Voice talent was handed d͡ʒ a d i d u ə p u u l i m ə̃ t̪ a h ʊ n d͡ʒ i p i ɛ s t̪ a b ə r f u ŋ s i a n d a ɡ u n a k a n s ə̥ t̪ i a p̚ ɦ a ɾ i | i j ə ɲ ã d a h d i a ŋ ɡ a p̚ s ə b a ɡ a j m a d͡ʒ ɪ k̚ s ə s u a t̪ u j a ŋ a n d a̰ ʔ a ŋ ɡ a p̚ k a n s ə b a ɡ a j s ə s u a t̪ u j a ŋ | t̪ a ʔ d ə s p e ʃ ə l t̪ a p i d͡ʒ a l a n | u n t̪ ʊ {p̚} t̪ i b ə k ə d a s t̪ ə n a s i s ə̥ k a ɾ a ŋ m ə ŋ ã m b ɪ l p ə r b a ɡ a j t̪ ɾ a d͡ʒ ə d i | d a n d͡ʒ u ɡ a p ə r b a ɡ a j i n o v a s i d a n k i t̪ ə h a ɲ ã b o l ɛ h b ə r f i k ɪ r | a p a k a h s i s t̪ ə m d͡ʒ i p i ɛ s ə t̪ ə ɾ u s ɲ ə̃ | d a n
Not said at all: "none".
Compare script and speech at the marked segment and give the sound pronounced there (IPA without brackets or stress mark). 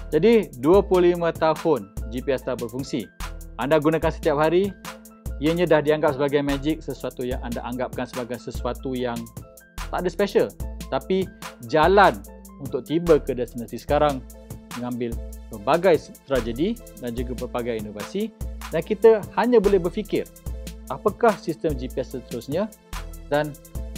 k̚